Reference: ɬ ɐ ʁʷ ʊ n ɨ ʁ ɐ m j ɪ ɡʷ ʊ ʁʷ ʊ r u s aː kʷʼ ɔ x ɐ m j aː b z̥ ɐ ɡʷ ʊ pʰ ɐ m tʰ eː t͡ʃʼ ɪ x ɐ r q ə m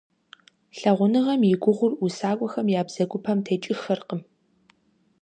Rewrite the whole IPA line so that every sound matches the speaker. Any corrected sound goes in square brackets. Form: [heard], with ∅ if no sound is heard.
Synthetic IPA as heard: ɬ ɐ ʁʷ ʊ n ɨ ʁ ɐ m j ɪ ɡʷ ʊ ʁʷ ʊ r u s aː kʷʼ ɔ x ɐ m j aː b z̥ ɐ ɡʷ ʊ pʰ ɐ m tʰ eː t͡ʃʼ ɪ x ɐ r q ə m